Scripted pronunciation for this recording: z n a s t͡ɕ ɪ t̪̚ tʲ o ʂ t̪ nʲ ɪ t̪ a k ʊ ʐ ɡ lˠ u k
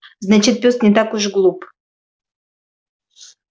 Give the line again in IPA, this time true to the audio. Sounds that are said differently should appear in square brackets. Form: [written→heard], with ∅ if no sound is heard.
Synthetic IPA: z n a [s→∅] t͡ɕ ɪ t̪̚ [tʲ→pʲ] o [ʂ→s] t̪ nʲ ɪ t̪ a k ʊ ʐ ɡ lˠ u [k→p]